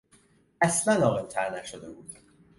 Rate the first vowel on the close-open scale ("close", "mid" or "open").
open